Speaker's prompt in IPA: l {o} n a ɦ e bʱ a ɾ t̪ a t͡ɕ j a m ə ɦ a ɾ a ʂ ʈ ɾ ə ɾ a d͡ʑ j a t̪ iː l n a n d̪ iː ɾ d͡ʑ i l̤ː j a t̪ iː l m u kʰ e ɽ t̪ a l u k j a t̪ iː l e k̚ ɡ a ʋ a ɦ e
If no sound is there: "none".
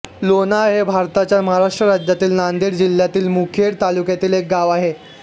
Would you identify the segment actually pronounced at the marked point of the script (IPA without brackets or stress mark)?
o